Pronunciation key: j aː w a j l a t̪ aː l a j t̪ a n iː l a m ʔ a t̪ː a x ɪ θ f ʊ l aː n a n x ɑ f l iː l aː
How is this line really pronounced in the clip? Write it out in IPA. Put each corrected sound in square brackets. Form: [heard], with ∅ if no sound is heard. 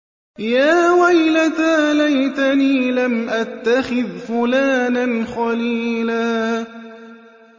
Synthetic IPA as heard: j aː w a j l a t̪ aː l a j t̪ a n iː l a m ʔ a t̪ː a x ɪ [ð] f ʊ l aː n a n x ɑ [∅] l iː l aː